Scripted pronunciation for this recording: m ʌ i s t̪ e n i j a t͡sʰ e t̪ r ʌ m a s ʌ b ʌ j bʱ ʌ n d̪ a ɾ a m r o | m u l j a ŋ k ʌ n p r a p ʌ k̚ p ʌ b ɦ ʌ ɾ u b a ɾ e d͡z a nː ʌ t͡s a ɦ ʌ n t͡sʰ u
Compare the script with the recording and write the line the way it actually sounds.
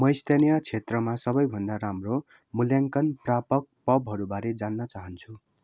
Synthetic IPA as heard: m ʌ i s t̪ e n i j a t͡sʰ e t̪ r ʌ m a s ʌ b ʌ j bʱ ʌ n d̪ a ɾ a m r o | m u l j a ŋ k ʌ n p r a p ʌ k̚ p ʌ b ɦ ʌ ɾ u b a ɾ e d͡z a nː ʌ t͡s a ɦ ʌ n t͡sʰ u